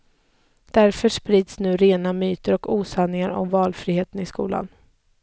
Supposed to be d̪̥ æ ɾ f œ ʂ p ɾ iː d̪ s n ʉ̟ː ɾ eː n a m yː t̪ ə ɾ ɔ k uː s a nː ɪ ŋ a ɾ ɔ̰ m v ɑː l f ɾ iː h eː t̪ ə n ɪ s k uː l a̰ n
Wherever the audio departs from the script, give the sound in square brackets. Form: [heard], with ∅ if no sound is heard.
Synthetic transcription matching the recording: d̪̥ æ ɾ f œ ʂ p ɾ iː d̪ s n ʉ̟ː ɾ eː n a m yː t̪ ə ɾ ɔ k uː s a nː ɪ ŋ a ɾ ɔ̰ m v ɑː l f ɾ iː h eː t̪ ə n ɪ s k uː l a̰ n